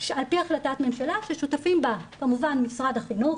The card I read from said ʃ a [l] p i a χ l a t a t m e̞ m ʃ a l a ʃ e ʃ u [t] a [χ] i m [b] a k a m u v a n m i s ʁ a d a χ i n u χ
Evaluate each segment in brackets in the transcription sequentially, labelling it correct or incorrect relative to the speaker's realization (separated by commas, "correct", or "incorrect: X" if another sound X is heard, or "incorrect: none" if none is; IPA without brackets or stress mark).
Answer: correct, correct, incorrect: f, correct